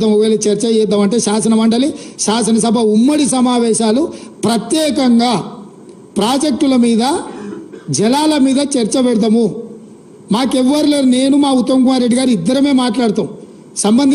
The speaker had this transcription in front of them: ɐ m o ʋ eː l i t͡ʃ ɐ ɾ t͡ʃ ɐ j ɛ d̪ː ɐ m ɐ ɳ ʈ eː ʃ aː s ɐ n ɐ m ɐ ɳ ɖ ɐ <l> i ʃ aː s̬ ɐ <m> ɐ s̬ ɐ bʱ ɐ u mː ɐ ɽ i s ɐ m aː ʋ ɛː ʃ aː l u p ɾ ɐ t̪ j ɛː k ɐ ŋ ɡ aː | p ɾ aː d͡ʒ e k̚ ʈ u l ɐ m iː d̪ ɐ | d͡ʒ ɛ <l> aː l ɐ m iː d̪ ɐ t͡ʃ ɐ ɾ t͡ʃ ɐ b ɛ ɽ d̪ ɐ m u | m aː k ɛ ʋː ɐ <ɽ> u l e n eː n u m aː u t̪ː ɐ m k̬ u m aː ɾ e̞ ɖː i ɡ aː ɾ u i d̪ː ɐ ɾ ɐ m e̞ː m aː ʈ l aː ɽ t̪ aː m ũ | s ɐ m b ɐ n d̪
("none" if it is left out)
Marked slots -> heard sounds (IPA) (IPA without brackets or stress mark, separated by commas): l, n, l, ɾ